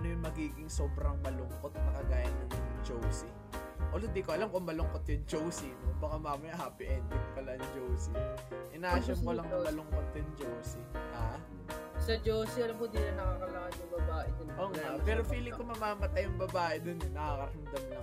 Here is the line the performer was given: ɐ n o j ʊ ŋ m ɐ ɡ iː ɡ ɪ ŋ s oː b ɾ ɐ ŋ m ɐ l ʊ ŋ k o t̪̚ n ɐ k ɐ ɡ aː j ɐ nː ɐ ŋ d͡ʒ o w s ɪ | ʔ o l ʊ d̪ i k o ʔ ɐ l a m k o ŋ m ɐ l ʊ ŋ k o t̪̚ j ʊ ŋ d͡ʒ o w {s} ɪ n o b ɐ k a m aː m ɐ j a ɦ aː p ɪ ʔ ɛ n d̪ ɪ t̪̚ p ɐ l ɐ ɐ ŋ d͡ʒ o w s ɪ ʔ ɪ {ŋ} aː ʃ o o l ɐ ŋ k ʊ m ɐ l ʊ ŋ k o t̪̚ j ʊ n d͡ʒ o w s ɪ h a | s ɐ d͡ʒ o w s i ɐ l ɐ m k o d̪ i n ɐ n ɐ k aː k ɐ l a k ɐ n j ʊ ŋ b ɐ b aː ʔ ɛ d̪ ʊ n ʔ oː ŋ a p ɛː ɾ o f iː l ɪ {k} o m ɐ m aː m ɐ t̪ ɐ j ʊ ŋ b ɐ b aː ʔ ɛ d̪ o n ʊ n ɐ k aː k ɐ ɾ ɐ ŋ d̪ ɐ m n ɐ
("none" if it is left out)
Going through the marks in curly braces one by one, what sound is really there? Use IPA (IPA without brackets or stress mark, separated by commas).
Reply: s, n, k